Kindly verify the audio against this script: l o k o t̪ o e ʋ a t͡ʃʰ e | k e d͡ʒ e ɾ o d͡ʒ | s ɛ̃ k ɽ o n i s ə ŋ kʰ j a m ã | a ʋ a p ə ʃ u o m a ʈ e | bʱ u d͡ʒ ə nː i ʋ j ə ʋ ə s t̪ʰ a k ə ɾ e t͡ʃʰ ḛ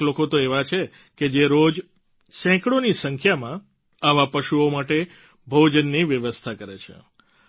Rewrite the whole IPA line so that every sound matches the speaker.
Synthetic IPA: l o k o t̪ o e ʋ a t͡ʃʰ e | k e d͡ʒ e ɾ o d͡ʒ | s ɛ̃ k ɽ o n i s ə ŋ kʰ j a m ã | a ʋ a p ə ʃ u o m a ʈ e | bʱ o d͡ʒ ə nː i ʋ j ə ʋ ə s t̪ʰ a k ə ɾ e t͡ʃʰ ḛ

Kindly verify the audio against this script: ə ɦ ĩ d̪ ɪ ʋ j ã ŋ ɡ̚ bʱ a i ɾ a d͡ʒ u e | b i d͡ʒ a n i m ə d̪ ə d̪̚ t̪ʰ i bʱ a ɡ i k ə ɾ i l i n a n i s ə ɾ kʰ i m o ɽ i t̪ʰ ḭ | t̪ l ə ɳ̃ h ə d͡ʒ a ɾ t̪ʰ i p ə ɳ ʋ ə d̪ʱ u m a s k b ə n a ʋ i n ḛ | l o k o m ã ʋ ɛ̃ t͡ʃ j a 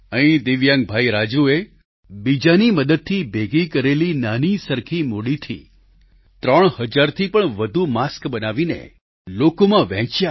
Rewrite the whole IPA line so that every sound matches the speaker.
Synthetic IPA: ə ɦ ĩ d̪ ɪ ʋ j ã ŋ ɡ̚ bʱ a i ɾ a d͡ʒ u e | b i d͡ʒ a n i m ə d̪ ə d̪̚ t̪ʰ i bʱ e ɡ i k ə ɾ e l i n a n i s ə ɾ kʰ i m o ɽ i t̪ʰ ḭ | t̪ ɾ ə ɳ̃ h ə d͡ʒ a ɾ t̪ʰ i p ə ɳ ʋ ə d̪ʱ u m a s k b ə n a ʋ i n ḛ | l o k o m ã ʋ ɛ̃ t͡ʃ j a

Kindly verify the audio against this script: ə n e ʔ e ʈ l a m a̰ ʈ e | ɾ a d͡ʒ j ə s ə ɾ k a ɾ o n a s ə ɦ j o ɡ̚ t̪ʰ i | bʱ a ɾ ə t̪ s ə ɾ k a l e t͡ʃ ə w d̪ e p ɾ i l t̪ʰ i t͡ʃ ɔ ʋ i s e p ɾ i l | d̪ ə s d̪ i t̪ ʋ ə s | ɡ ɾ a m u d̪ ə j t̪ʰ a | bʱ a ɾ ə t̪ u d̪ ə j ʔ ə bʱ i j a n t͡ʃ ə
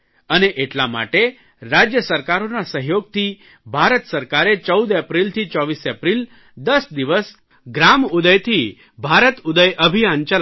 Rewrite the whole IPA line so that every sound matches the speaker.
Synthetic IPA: ə n e ʔ e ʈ l a m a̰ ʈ e | ɾ a d͡ʒ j ə s ə ɾ k a ɾ o n a s ə ɦ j o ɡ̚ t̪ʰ i | bʱ a ɾ ə t̪ s ə ɾ k a ɾ e t͡ʃ ə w d̪ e p ɾ i l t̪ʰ i t͡ʃ ɔ ʋ i s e p ɾ i l | d̪ ə s d̪ i ʋ ə s | ɡ ɾ a m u d̪ ə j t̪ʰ i | bʱ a ɾ ə t̪ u d̪ ə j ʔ ə bʱ i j a n t͡ʃ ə

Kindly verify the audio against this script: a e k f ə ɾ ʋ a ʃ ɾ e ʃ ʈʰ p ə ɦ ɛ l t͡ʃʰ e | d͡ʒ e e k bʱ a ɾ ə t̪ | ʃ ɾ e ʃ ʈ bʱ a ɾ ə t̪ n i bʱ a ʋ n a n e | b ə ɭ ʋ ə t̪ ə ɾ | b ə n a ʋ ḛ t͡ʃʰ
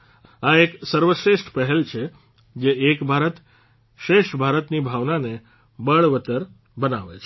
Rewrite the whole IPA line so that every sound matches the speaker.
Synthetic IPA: a e k s ə ɾ ʋ ə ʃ ɾ e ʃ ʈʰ p ə ɦ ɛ l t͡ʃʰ e | d͡ʒ e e k bʱ a ɾ ə t̪ | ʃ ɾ e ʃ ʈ bʱ a ɾ ə t̪ n i bʱ a ʋ n a n e | b ə ɭ ʋ ə t̪ ə ɾ | b ə n a ʋ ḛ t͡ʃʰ

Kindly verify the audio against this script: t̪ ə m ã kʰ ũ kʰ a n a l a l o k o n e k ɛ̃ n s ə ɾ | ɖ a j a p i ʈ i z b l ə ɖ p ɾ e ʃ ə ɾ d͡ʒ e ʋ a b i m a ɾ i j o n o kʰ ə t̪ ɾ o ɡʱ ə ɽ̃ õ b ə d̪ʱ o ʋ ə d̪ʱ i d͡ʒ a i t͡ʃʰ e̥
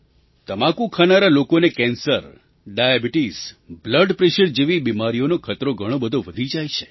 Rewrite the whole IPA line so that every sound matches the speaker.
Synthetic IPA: t̪ ə m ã k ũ kʰ a n a ɾ a l o k o n e k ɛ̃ n s ə ɾ | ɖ a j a b i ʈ i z b l ə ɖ p ɾ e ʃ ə ɾ d͡ʒ e ʋ i b i m a ɾ i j o n o kʰ ə t̪ ɾ o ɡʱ ə ɽ̃ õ b ə d̪ʱ o ʋ ə d̪ʱ i d͡ʒ a j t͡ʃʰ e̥

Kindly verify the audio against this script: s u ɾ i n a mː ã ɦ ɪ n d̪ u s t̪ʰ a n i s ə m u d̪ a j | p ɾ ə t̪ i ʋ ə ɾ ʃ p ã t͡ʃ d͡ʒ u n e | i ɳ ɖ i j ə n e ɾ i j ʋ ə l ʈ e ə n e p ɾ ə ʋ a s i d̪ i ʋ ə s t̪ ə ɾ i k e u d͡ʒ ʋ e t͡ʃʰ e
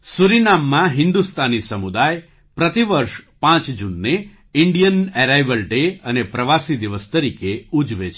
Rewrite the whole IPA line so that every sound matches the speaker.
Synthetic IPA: s u ɾ i n a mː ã ɦ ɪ n d̪ u s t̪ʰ a n i s ə m u d̪ a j | p ɾ ə t̪ i ʋ ə ɾ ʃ p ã t͡ʃ d͡ʒ u nː e | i ɳ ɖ i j ə n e ɾ a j ʋ ə l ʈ e ə n e p ɾ ə ʋ a s i d̪ i ʋ ə s t̪ ə ɾ i k e u d͡ʒ ʋ e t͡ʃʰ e

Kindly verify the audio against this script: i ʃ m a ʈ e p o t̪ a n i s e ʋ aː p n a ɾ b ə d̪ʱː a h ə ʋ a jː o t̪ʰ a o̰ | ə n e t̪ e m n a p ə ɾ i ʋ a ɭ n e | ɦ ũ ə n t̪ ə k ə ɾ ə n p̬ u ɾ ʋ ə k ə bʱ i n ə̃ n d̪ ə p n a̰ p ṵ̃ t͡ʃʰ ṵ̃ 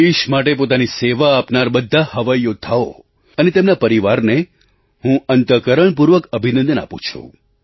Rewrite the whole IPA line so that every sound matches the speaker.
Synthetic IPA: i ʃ m a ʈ e p o t̪ a n i s e ʋ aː p n a ɾ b ə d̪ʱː a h ə ʋ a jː o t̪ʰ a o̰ | ə n e t̪ e m n a p ə ɾ i ʋ a ɾ n e | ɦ ũ ə n t̪ ə k ə ɾ ə ɳ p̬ u ɾ ʋ ə k ə bʱ i n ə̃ n d̪ ə n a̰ p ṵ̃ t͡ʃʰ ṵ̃

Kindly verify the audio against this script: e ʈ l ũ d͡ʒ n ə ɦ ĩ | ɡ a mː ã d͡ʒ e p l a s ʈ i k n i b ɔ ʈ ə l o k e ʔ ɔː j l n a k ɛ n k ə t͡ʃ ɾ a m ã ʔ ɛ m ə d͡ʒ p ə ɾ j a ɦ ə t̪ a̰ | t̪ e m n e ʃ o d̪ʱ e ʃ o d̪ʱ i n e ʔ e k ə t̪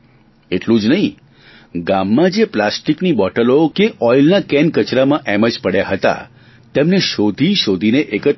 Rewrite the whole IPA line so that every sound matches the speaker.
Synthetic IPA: e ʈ l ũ d͡ʒ n ə ɦ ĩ | ɡ a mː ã d͡ʒ e p l a s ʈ i k n i b ɔ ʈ ə l o k e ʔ ɔ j l n a k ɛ n k ə t͡ʃ ɾ a m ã ʔ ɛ m ə d͡ʒ p ə ɽ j a ɦ ə t̪ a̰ | t̪ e m n e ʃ o d̪ʱ i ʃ o d̪ʱ i n e ʔ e k ə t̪

